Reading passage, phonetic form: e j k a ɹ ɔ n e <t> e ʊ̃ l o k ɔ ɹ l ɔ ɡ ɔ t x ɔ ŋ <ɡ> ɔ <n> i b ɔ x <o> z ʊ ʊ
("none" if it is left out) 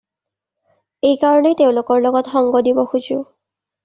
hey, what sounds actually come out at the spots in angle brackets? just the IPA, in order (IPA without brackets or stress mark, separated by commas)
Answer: t, ɡ, d, u